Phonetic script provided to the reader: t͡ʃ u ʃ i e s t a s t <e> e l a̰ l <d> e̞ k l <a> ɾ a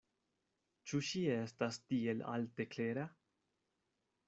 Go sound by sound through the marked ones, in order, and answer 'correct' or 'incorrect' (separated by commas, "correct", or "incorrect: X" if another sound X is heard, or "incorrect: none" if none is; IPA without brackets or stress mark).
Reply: incorrect: i, incorrect: t, incorrect: e